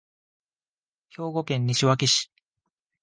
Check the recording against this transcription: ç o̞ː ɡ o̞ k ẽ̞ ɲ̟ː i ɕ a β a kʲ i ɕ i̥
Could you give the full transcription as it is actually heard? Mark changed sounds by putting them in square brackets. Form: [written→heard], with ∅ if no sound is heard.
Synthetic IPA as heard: ç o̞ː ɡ o̞ k ẽ̞ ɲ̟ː i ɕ [a→i] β a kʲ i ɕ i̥